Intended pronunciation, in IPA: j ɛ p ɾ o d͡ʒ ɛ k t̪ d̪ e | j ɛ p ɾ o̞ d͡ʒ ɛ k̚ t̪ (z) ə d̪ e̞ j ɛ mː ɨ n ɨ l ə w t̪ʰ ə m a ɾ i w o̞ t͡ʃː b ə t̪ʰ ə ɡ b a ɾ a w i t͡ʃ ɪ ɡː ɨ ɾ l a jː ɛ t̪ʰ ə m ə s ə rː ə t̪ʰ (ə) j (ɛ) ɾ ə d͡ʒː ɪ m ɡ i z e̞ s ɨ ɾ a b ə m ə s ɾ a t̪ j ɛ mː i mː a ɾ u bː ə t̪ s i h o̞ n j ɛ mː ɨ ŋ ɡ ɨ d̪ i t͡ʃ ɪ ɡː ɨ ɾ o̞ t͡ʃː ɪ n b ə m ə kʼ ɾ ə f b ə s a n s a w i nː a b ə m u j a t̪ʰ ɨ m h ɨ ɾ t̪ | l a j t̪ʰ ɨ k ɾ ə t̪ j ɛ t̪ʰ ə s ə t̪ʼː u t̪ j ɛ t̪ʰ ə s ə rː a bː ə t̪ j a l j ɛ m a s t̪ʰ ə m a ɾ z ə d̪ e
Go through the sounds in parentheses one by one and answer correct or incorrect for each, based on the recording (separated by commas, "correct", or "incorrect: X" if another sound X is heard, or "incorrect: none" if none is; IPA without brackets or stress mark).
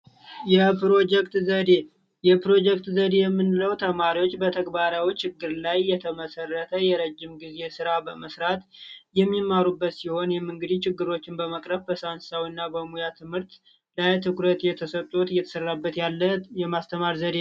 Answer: correct, correct, correct